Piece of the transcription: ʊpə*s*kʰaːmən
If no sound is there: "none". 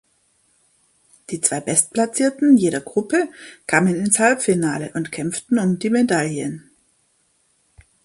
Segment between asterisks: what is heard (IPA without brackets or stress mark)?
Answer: none